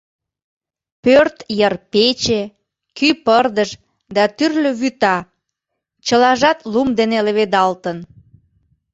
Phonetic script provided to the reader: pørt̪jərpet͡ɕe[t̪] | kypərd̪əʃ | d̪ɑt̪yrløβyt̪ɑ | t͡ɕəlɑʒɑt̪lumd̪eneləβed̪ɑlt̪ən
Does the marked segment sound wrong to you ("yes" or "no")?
yes